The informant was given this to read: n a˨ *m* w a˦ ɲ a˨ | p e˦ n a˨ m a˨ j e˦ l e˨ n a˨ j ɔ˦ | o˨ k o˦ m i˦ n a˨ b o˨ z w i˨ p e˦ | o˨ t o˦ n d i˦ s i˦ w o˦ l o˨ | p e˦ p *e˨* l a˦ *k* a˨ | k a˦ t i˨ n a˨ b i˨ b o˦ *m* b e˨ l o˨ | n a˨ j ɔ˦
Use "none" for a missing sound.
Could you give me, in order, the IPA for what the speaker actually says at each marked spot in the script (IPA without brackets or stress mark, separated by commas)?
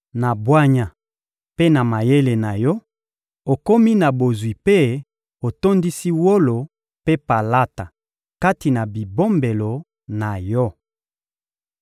b, a˨, t, m